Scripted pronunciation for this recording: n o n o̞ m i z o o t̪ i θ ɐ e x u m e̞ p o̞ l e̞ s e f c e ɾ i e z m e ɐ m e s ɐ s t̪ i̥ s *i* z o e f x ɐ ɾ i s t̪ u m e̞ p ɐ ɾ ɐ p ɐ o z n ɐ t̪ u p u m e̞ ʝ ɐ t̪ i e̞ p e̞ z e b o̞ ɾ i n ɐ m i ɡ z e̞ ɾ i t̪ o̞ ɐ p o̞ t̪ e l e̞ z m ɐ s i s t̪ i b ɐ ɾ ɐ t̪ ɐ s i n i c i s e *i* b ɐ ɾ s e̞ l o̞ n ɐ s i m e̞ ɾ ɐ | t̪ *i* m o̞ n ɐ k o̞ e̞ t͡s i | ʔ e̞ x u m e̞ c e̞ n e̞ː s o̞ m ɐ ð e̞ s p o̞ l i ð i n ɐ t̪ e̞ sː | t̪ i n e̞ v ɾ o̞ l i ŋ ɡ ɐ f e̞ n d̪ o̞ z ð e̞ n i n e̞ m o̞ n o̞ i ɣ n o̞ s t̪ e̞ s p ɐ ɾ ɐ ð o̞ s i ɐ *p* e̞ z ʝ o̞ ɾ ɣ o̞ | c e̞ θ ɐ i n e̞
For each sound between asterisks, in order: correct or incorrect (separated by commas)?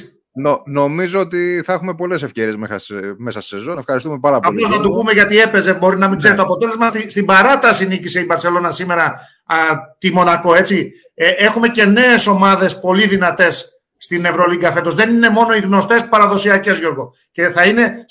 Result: incorrect, correct, correct, incorrect